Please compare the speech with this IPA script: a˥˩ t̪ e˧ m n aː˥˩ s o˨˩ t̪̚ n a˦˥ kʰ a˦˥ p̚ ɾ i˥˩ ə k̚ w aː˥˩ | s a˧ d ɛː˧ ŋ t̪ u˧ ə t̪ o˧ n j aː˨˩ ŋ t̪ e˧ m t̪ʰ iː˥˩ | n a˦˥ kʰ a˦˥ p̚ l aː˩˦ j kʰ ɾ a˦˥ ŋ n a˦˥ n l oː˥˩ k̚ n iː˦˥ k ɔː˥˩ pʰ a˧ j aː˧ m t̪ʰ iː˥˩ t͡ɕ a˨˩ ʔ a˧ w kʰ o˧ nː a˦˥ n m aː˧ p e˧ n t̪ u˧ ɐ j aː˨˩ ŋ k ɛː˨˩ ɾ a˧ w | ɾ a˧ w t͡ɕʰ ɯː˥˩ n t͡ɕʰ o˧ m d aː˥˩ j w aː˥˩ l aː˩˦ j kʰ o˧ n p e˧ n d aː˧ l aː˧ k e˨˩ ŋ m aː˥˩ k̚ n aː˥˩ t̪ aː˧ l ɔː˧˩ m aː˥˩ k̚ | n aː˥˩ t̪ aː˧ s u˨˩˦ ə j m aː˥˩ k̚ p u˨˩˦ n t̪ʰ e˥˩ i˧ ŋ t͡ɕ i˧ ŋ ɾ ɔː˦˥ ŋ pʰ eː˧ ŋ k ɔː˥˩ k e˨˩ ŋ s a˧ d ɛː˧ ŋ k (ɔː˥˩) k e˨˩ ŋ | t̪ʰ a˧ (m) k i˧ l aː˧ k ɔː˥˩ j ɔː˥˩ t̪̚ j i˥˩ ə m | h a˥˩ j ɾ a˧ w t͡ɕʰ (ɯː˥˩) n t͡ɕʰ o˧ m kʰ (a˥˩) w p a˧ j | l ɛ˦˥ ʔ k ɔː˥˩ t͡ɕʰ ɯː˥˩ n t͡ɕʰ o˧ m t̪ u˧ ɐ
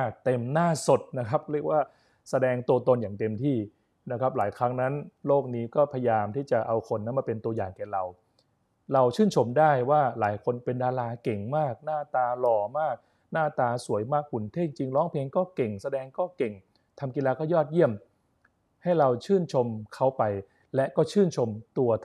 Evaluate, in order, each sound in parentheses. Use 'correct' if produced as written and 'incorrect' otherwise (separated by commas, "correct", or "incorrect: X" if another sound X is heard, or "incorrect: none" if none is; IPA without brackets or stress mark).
correct, correct, correct, incorrect: a˦˥